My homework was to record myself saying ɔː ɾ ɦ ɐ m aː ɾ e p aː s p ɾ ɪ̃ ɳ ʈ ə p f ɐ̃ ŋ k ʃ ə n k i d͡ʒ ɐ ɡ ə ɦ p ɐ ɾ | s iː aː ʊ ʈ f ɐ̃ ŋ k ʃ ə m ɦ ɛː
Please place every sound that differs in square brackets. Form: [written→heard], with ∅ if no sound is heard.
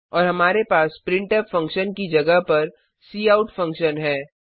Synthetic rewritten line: ɔː ɾ ɦ ɐ m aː ɾ e p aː s p ɾ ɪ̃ ɳ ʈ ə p f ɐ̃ ŋ k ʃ ə n k i d͡ʒ ɐ ɡ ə ɦ p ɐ ɾ | s iː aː ʊ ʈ f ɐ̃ ŋ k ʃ ə [m→n] ɦ ɛː